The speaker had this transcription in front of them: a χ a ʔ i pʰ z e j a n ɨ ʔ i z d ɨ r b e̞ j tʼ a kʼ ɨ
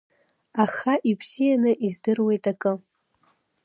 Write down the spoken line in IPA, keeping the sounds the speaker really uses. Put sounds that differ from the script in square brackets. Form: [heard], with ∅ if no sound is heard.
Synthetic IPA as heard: a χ a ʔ i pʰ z [i] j a n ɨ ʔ i z d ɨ r [w] e̞ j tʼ a kʼ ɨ